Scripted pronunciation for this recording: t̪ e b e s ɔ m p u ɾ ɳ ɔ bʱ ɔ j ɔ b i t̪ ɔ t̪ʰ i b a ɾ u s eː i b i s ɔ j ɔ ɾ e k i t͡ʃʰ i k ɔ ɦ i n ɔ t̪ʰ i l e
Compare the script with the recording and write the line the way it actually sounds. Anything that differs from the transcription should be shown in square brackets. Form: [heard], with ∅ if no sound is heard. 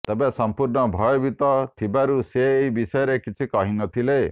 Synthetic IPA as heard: t̪ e b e s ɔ m p u ɾ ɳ ɔ bʱ ɔ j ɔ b i t̪ ɔ t̪ʰ i b a ɾ u s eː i b i s ɔ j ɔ ɾ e k i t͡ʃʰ i k ɔ ɦ i n ɔ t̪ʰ i l e

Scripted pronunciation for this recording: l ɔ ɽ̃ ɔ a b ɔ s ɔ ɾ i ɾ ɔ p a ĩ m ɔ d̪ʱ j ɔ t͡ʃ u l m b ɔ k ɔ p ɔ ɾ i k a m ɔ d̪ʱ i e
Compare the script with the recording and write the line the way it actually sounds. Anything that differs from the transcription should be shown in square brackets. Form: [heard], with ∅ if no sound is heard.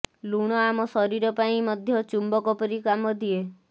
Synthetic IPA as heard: l [u] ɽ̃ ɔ a [m] ɔ s ɔ ɾ i ɾ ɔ p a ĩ m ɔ d̪ʱ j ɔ t͡ʃ u [∅] m b ɔ k ɔ p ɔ ɾ i k a m ɔ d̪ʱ i e

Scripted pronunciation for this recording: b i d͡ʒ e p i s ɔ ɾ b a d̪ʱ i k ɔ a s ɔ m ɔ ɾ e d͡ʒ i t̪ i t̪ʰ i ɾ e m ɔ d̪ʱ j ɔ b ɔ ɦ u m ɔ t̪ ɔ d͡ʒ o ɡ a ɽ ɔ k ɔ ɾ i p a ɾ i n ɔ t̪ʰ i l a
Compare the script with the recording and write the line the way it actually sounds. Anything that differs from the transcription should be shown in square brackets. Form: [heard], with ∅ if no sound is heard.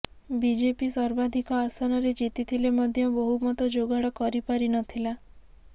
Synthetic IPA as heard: b i d͡ʒ e p i s ɔ ɾ b a d̪ʱ i k ɔ a s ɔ [n] ɔ ɾ e d͡ʒ i t̪ i t̪ʰ i [l] e m ɔ d̪ʱ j ɔ b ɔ ɦ u m ɔ t̪ ɔ d͡ʒ o ɡ a ɽ ɔ k ɔ ɾ i p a ɾ i n ɔ t̪ʰ i l a

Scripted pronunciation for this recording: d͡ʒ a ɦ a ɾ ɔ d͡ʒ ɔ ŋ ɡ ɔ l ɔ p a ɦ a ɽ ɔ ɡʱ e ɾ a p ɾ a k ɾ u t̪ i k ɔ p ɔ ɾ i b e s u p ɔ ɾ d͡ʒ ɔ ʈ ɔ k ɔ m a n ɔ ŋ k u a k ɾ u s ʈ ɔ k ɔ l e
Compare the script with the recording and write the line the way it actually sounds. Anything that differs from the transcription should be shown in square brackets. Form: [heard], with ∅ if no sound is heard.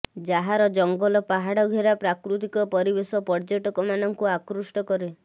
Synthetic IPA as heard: d͡ʒ a ɦ a ɾ ɔ d͡ʒ ɔ ŋ ɡ ɔ l ɔ p a ɦ a ɽ ɔ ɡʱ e ɾ a p ɾ a k ɾ u t̪ i k ɔ p ɔ ɾ i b e s [ɔ] p ɔ ɾ d͡ʒ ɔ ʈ ɔ k ɔ m a n ɔ ŋ k u a k ɾ u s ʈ ɔ k ɔ [ɾ] e

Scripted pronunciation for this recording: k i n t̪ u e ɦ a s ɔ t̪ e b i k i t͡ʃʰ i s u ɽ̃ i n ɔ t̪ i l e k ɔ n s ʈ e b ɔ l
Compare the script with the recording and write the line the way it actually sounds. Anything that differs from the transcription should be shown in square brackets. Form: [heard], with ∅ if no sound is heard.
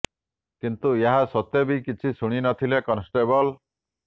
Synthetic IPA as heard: k i n t̪ u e ɦ a s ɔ t̪ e b i k i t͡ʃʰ i s u ɽ̃ i n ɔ [t̪ʰ] i l e k ɔ n s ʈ e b ɔ l

